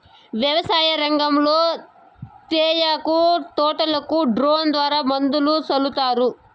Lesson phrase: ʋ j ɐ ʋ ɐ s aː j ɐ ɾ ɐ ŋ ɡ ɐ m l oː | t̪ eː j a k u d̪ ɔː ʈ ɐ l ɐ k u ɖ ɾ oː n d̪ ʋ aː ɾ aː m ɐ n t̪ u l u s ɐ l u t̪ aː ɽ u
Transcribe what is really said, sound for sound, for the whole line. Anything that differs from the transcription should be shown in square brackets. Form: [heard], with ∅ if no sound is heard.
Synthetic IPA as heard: ʋ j ɐ ʋ ɐ s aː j ɐ ɾ ɐ ŋ ɡ ɐ m l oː | t̪ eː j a k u [t̪] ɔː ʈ ɐ l ɐ k u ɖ ɾ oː n d̪ ʋ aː ɾ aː m ɐ n [d̪] u l u s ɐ l u t̪ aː [ɾ] u